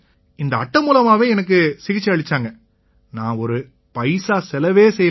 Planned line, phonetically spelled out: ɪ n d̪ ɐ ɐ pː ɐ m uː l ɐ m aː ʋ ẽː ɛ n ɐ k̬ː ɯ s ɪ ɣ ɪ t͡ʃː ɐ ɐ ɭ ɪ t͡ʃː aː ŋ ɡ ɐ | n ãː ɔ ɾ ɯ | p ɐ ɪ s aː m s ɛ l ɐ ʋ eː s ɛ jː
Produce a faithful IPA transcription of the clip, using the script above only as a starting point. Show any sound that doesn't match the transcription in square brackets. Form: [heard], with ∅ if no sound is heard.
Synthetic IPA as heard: ɪ n d̪ ɐ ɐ [ʈː] ɐ m uː l ɐ m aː ʋ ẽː ɛ n ɐ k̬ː ɯ s ɪ ɣ ɪ t͡ʃː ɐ ɐ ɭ ɪ t͡ʃː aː ŋ ɡ ɐ | n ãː ɔ ɾ ɯ | p ɐ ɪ s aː [∅] s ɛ l ɐ ʋ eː s ɛ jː